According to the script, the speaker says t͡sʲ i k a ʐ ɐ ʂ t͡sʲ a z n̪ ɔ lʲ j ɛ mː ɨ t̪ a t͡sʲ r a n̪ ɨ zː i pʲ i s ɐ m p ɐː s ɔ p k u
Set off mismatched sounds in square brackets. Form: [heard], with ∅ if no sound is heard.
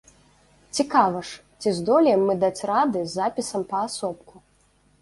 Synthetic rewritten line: t͡sʲ i k a [v] ɐ ʂ t͡sʲ [i] z [d̪] ɔ lʲ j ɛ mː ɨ [d̪] a t͡sʲ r a [d̪] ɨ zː [a] pʲ i s ɐ m p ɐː s ɔ p k u